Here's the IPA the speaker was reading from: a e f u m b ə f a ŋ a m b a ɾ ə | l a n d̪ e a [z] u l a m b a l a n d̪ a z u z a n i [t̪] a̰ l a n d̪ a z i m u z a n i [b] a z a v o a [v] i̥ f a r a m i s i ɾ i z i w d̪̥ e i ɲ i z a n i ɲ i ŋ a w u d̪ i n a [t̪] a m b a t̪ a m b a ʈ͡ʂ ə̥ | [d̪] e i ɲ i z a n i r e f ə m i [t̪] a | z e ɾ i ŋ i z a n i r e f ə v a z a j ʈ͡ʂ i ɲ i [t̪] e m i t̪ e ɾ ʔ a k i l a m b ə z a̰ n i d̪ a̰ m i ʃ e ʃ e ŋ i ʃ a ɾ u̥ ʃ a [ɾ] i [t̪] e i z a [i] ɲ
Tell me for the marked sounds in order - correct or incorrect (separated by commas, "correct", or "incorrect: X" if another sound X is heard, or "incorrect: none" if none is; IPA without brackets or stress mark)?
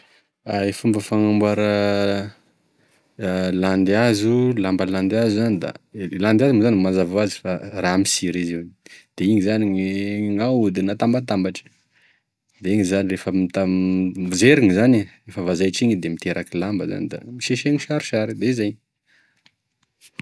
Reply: correct, incorrect: d̪, incorrect: m, incorrect: z, correct, correct, correct, incorrect: d̪, correct, incorrect: d̪, incorrect: j